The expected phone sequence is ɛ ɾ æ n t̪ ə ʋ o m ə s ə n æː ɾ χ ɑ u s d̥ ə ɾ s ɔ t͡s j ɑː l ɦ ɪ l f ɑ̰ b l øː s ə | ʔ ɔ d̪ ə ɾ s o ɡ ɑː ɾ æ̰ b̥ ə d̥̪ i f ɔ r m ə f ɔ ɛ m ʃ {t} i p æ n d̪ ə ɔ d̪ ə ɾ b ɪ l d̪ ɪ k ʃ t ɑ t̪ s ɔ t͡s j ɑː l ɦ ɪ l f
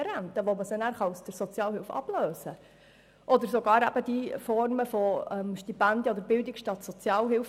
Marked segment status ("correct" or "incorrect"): correct